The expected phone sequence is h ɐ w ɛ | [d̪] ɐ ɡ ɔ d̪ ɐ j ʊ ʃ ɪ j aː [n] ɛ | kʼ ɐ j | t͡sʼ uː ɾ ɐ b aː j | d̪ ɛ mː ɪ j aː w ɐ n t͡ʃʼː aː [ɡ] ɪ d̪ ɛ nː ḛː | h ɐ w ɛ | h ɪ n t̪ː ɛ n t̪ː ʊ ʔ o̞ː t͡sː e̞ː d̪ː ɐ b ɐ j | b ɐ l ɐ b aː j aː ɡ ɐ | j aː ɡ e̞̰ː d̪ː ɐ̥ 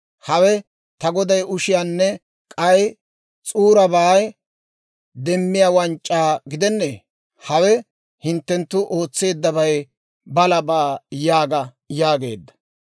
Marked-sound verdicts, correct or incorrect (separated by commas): incorrect, incorrect, correct